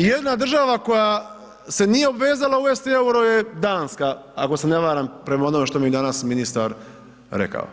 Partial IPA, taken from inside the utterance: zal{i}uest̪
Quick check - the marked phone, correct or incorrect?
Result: incorrect: a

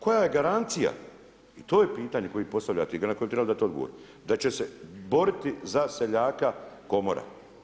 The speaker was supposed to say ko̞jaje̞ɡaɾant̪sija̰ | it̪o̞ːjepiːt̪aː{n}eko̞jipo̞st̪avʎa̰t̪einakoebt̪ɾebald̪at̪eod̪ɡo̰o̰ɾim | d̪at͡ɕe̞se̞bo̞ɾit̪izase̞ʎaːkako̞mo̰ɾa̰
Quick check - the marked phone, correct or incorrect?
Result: incorrect: ɲ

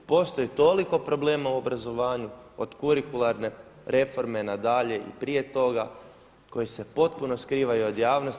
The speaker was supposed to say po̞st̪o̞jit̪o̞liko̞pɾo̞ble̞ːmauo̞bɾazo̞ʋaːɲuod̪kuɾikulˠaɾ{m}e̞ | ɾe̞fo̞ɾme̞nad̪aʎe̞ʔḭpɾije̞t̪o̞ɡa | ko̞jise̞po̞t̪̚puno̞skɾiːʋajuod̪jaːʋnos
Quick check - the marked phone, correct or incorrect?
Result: incorrect: n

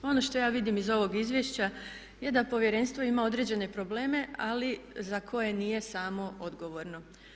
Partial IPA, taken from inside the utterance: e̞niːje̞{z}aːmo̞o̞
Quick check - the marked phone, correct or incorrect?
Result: incorrect: s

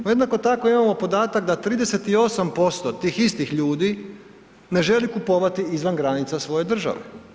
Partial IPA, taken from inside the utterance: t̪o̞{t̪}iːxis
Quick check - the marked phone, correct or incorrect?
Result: correct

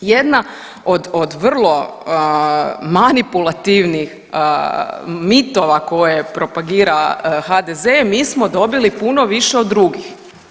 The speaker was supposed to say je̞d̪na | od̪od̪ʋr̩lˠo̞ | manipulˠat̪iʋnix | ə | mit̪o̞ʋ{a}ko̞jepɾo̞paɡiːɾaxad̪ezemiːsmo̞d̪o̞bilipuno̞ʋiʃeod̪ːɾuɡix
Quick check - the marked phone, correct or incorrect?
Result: correct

